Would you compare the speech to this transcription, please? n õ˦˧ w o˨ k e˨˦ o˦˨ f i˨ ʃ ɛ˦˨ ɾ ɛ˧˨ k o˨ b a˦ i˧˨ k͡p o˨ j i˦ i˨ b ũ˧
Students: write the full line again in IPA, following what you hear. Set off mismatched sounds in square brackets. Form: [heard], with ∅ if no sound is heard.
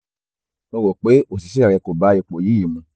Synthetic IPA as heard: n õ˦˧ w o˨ [k͡p] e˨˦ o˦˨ [s] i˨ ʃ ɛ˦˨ ɾ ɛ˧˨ k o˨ b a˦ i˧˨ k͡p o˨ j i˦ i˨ [m] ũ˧